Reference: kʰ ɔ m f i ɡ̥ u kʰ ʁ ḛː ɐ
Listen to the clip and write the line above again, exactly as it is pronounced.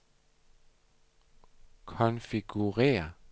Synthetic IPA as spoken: kʰ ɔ n f i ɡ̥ u ʁ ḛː ɐ